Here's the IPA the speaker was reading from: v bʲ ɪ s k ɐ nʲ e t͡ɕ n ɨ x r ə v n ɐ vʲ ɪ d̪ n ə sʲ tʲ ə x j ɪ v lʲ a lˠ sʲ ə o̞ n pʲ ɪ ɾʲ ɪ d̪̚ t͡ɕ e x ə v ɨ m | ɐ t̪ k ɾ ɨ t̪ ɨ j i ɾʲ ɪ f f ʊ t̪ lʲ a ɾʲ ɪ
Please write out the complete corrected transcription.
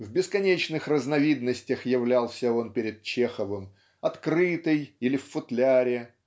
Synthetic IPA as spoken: v bʲ ɪ s k ɐ nʲ e t͡ɕ n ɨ x r ə z n ɐ vʲ i d̪ n ə sʲ tʲ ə x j ɪ v lʲ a lˠ sʲ ə o̞ n pʲ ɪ ɾʲ ɪ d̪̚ t͡ɕ e x ə v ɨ m | ɐ t̪ k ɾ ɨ t̪ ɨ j i lʲ ɪ f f ʊ t̪ lʲ a ɾʲ ɪ